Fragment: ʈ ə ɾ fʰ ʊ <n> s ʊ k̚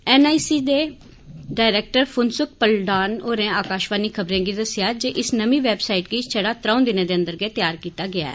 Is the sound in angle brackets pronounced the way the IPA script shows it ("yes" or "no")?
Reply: yes